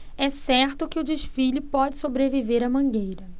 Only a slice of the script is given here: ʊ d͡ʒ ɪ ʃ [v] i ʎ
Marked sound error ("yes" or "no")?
yes